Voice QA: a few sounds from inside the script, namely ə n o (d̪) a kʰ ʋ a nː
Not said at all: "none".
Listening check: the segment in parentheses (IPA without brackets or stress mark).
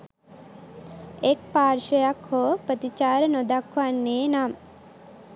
d̪